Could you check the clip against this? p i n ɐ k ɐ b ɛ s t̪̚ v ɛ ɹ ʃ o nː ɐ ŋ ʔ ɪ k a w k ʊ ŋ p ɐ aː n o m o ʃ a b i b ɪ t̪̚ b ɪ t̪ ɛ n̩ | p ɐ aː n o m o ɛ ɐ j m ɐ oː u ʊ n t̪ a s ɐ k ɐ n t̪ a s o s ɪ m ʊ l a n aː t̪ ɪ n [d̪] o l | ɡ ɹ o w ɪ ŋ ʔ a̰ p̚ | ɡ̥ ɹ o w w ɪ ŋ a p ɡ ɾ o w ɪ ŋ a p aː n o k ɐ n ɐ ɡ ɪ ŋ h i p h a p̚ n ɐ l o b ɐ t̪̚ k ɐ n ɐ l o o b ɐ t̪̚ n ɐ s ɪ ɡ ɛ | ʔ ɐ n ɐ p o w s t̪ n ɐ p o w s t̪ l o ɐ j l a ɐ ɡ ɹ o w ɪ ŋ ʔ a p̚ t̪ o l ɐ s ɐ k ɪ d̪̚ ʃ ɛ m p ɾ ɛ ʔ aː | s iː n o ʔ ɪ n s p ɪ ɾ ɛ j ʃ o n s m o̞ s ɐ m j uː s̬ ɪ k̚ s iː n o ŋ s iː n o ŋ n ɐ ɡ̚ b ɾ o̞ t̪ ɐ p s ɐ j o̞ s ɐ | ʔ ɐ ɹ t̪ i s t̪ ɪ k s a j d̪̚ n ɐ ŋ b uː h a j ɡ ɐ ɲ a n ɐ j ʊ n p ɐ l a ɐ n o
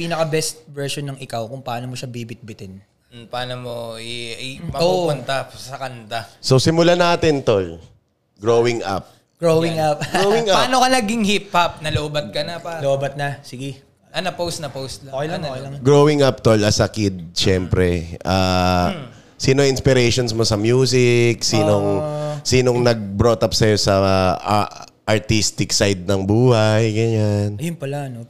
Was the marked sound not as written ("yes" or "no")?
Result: yes